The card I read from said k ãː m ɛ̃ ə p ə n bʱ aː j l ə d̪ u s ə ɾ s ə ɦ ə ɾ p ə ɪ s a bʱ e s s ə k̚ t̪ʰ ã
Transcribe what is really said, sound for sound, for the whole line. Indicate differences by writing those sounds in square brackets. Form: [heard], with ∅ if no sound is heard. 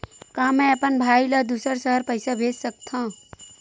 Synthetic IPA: k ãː m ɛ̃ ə p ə n bʱ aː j l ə d̪ u s ə ɾ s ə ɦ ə ɾ p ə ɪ s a bʱ e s s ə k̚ t̪ʰ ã